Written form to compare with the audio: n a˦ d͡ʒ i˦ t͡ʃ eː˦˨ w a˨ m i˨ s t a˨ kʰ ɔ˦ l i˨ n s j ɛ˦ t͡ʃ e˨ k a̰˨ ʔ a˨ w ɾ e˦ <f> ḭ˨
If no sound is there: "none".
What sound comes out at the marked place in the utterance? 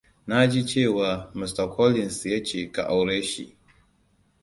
ʃ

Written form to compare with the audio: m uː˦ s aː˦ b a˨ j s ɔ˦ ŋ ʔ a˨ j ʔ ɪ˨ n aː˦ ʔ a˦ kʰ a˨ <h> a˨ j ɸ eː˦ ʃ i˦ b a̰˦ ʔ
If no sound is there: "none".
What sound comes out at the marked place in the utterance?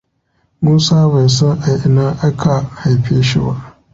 h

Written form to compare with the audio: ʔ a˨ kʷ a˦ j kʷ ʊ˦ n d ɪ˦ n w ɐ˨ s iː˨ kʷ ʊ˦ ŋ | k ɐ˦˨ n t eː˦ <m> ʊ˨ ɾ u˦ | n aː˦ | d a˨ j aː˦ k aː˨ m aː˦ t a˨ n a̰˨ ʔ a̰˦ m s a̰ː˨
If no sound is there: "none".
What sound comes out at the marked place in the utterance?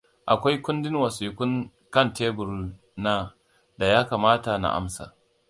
b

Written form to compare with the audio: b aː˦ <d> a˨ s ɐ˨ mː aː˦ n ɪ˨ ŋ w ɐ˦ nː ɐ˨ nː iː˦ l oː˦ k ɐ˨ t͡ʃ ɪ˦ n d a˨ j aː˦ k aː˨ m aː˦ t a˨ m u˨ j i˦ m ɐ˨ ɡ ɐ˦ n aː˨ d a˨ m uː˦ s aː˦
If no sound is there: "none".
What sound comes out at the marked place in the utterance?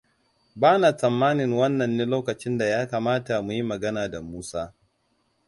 n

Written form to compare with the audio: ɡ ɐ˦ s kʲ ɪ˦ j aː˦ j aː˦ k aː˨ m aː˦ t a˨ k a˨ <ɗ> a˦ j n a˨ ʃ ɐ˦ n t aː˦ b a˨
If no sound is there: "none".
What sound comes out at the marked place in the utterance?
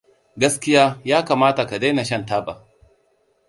d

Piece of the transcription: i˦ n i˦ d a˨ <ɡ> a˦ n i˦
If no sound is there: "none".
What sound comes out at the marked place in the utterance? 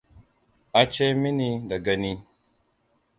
ɡ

